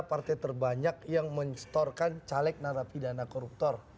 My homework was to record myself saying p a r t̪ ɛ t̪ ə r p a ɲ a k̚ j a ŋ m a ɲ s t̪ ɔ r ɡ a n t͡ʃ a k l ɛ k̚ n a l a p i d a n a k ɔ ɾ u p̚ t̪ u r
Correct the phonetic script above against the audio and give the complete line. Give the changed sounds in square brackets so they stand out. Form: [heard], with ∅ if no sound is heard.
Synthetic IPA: p a r t̪ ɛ t̪ ə r [b] a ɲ a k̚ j a ŋ m [ə] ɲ s t̪ ɔ r [k] a n t͡ʃ a [∅] l ɛ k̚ n a [ɾ] a p i d a n a k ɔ ɾ u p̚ t̪ [ɔ] r

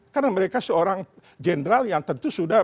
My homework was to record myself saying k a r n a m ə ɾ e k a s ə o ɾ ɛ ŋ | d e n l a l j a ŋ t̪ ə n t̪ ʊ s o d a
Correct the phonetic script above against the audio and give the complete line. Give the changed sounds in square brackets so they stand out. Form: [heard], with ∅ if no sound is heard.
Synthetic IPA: k a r n a m ə ɾ e k a s ə o ɾ [a] ŋ | [d͡ʒ] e n [ɾ] a l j a ŋ t̪ ə n t̪ [u] s [u] d a

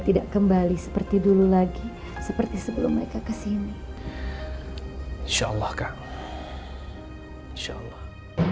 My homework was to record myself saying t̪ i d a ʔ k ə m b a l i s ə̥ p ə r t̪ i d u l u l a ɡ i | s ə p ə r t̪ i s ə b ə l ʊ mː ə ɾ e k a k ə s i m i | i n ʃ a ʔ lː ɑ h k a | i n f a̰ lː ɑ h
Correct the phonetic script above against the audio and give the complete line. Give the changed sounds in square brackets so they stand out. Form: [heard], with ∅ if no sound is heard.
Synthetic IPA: t̪ i d a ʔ k ə m b a l i s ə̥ p ə r t̪ i d u l u l a ɡ i | s ə p ə r t̪ i s ə b ə l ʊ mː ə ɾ e k a k ə s i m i | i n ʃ a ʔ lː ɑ h k a | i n [ʃ] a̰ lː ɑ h

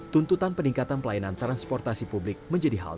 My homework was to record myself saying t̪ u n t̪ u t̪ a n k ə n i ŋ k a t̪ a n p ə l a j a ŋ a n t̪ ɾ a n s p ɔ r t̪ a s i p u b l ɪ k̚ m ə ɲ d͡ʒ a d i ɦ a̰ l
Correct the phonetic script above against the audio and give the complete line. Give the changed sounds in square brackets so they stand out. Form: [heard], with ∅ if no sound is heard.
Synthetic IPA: t̪ u n t̪ u t̪ a n [p] ə n i ŋ k a t̪ a n p ə l a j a [n] a n t̪ ɾ a n s p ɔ r t̪ a s i p u b l ɪ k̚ m ə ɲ d͡ʒ a d i ɦ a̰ l

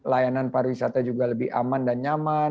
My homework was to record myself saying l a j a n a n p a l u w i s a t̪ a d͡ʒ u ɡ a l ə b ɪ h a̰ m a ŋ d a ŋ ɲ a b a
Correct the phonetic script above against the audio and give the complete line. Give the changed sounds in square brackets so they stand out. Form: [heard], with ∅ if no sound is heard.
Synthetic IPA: l a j a n a n p a [ɾ] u w i s a t̪ a d͡ʒ u ɡ a l ə b ɪ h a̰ m a [n] d a [n] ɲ a [m] a

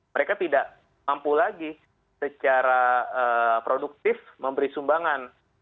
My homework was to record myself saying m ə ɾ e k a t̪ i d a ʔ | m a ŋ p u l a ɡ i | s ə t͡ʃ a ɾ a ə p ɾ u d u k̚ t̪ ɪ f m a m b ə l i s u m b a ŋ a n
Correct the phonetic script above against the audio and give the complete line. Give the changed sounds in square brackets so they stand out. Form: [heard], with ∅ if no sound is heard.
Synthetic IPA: m ə ɾ e k a t̪ i d a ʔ | m a [m] p u l a ɡ i | s ə t͡ʃ a ɾ a ə p ɾ [o] d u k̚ t̪ ɪ f m [ə] m b ə [ɾ] i s u m b a ŋ a n

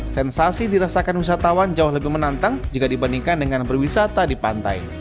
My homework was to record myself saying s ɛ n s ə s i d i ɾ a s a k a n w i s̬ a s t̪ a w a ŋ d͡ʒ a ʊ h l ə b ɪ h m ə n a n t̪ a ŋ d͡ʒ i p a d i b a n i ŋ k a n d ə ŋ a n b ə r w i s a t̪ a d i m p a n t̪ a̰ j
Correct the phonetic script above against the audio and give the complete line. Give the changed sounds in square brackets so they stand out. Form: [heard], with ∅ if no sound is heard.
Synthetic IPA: s ɛ n s [a] s i d i ɾ a s a k a n w i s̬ a [∅] t̪ a w a [n] d͡ʒ a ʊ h l ə b ɪ h m ə n a n t̪ a ŋ d͡ʒ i [k] a d i b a n i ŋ k a n d ə ŋ a n b ə r w i s a t̪ a d i [∅] p a n t̪ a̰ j

